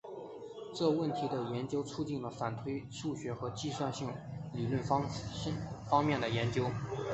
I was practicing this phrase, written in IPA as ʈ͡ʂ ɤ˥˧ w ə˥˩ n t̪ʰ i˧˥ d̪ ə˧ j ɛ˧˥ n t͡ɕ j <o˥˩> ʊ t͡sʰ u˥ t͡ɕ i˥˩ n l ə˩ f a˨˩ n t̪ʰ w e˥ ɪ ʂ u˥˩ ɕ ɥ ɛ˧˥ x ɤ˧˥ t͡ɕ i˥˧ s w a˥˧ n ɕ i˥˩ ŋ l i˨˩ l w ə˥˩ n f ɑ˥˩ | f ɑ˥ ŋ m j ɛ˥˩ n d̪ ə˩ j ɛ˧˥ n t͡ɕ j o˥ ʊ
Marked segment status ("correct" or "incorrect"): incorrect